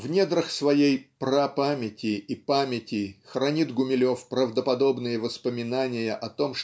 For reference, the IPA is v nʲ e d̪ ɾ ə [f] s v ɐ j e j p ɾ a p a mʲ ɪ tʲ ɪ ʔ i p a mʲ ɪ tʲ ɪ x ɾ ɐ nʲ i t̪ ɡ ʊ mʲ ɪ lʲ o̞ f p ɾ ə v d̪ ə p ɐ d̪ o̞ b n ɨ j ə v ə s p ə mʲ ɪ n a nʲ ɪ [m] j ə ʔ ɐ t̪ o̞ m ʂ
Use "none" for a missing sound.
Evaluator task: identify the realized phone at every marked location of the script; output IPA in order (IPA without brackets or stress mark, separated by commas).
x, none